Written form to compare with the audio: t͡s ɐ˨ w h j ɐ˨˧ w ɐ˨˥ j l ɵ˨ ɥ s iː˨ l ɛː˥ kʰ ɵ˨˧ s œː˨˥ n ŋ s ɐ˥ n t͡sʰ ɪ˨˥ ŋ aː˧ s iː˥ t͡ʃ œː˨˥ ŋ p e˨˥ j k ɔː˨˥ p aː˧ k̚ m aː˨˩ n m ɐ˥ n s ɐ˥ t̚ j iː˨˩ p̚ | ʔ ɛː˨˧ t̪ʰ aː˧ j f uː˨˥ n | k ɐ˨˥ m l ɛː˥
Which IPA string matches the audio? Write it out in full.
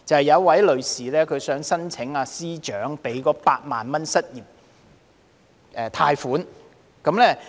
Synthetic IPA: t͡s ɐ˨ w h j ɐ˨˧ w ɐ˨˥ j l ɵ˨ ɥ s iː˨ l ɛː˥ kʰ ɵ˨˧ s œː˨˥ ŋ s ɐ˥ n t͡sʰ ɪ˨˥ ŋ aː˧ s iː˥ t͡ʃ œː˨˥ ŋ p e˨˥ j k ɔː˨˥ p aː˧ t̚ m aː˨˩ n m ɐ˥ n s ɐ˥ t̚ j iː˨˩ p̚ | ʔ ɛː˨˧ t̪ʰ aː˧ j f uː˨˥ n | k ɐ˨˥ m l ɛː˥

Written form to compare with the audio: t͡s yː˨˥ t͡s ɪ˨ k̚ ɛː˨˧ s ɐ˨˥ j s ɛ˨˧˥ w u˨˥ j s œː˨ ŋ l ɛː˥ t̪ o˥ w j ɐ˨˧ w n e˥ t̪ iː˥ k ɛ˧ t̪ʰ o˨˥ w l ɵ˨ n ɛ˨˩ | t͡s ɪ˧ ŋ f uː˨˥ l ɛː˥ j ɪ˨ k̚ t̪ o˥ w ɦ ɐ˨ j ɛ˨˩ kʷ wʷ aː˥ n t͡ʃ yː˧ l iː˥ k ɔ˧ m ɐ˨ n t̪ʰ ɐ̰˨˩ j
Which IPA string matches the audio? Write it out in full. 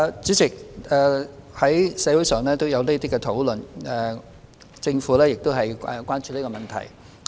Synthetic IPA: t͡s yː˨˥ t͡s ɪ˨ k̚ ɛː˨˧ h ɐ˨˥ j s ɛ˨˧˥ w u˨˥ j s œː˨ ŋ l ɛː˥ t̪ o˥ w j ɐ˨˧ w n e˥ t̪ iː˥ k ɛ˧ t̪ʰ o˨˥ w l ɵ˨ n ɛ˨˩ | t͡s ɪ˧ ŋ f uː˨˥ l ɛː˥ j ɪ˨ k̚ t̪ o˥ w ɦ ɐ˨ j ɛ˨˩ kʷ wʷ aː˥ n t͡ʃ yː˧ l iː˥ k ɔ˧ m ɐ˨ n t̪ʰ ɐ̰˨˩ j

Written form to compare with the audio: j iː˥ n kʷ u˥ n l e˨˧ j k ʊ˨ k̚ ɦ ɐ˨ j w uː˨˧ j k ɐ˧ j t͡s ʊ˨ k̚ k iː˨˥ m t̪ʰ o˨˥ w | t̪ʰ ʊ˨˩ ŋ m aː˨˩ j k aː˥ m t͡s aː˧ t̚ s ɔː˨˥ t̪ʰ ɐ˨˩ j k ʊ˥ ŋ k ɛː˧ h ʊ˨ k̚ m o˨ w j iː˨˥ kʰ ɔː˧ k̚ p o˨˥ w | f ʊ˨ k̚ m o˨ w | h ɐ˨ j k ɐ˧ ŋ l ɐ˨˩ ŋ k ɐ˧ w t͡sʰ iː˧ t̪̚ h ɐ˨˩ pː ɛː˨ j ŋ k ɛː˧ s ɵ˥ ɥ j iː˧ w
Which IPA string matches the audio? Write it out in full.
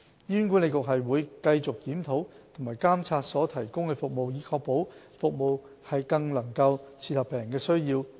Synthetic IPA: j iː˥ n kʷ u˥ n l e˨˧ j k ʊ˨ k̚ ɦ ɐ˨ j w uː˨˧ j k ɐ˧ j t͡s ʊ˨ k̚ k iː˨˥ m t̪ʰ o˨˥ w | t̪ʰ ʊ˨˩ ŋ m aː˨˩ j k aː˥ m t͡sʰ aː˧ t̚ s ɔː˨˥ t̪ʰ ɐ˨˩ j k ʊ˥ ŋ k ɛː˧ f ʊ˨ k̚ m o˨ w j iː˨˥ kʰ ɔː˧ k̚ p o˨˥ w | f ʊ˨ k̚ m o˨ w | h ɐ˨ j k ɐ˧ ŋ l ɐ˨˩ ŋ k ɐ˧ w t͡sʰ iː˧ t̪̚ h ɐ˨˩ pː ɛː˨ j ŋ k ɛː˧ s ɵ˥ ɥ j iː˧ w

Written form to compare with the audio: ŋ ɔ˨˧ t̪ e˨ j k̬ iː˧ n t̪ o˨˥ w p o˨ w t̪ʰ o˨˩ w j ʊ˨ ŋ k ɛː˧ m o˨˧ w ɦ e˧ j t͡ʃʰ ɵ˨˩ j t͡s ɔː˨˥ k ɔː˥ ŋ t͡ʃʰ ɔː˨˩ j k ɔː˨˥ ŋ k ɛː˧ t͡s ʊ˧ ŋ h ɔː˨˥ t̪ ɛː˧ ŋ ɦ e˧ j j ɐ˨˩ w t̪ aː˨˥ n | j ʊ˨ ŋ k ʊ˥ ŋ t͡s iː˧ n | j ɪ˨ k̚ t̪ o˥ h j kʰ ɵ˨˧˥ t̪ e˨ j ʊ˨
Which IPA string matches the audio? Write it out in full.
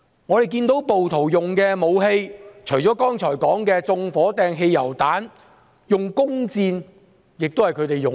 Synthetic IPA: ŋ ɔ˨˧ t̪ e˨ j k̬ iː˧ n t̪ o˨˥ w p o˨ w t̪ʰ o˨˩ w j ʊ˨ ŋ k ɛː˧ m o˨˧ w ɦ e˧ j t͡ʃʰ ɵ˨˩ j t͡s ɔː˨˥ k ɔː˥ ŋ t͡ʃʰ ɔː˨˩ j k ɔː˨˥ ŋ k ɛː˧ t͡s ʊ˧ ŋ f ɔː˨˥ t̪ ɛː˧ ŋ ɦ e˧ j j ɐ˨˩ w t̪ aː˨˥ n | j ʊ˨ ŋ k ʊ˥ ŋ t͡s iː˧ n | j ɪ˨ k̚ t̪ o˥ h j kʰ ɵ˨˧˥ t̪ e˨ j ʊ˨

